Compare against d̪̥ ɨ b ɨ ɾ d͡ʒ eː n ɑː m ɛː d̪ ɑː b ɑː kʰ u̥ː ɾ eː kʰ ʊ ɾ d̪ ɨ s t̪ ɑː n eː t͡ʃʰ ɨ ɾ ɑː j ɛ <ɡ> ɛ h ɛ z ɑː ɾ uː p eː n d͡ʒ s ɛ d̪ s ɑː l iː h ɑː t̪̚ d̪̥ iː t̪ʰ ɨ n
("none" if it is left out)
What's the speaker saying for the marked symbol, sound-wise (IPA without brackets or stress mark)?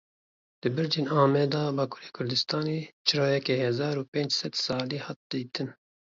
k